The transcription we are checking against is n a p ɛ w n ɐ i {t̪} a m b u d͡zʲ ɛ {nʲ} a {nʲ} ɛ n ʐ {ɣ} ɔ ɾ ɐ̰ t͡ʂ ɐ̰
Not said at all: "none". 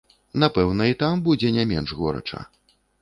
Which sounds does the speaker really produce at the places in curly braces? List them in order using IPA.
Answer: t̪, nʲ, mʲ, ɣ

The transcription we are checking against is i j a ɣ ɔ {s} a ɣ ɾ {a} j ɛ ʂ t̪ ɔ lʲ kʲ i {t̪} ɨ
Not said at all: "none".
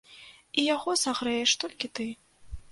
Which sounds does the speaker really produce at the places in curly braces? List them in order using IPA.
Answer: s, ɛ, t̪

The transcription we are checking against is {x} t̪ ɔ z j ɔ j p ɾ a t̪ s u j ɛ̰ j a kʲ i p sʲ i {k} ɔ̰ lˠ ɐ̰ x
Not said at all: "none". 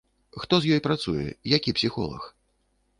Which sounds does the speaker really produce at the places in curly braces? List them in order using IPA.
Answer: x, x

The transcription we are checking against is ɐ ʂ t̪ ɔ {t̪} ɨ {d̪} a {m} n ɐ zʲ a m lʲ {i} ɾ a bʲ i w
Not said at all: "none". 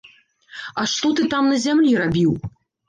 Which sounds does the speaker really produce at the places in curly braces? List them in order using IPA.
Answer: t̪, t̪, m, i

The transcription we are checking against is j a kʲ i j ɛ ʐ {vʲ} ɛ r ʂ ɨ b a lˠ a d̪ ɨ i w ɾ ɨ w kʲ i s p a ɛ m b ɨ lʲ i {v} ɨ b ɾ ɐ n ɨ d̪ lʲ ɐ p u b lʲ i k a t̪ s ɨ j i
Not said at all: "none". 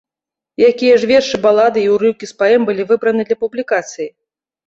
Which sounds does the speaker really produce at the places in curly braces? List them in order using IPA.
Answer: vʲ, v

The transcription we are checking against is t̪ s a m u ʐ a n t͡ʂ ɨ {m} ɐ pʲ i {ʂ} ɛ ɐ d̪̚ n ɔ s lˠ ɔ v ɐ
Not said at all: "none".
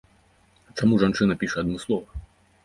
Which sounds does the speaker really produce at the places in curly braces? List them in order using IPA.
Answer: n, ʂ

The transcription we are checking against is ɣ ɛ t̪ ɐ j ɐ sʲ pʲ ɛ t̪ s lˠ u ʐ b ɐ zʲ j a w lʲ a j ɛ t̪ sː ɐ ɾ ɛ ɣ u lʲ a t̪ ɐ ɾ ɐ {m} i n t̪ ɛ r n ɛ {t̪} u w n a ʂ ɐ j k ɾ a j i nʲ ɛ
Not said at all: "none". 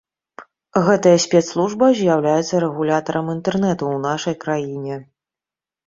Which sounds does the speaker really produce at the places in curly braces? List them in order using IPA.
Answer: m, t̪

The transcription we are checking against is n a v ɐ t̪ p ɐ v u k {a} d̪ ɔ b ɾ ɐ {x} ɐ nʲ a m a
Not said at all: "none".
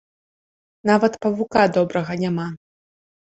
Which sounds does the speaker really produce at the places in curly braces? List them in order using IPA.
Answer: a, ɣ

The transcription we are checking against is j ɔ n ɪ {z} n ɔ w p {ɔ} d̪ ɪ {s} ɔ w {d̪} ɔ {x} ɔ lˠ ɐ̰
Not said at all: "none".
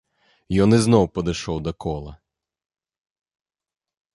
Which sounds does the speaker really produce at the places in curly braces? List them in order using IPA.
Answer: z, ɔ, ʃ, d̪, k

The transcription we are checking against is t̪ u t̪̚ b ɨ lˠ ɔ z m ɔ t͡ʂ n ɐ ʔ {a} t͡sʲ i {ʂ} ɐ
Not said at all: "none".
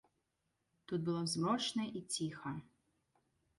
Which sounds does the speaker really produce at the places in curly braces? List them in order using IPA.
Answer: i, x

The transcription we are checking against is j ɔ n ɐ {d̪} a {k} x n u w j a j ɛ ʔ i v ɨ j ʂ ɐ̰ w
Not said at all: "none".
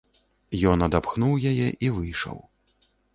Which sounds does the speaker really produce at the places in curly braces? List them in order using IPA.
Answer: d̪, p

